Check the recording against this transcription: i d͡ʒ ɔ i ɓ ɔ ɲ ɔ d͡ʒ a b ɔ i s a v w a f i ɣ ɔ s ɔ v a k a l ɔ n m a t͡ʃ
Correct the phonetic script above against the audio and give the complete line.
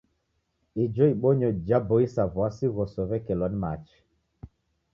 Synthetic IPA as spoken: i d͡ʒ ɔ i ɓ ɔ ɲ ɔ d͡ʒ a b ɔ i s a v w a s i ɣ ɔ s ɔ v ɛ k ɛ l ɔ n m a t͡ʃ